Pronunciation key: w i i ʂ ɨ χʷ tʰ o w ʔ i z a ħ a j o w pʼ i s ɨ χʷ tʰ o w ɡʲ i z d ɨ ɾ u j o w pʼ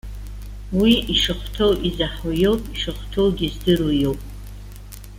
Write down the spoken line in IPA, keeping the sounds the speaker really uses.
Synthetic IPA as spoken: w i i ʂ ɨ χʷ tʰ o w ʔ i z a ħ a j o w pʼ i ʂ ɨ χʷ tʰ o w ɡʲ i z d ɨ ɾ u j o w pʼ